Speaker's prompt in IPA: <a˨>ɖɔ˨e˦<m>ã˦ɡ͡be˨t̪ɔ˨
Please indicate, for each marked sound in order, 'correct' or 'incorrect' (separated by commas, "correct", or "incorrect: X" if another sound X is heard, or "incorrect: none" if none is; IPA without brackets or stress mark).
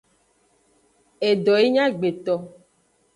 incorrect: e˨, incorrect: ɲ